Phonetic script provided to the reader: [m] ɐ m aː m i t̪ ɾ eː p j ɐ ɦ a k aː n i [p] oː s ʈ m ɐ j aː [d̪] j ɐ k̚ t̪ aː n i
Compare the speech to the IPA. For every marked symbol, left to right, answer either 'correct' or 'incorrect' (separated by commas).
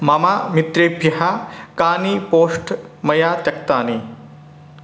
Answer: correct, correct, incorrect